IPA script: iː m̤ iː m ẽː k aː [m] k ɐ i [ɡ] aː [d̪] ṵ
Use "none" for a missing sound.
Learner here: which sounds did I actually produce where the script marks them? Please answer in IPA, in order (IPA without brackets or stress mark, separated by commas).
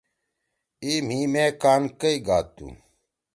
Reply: n, ɡ, t̪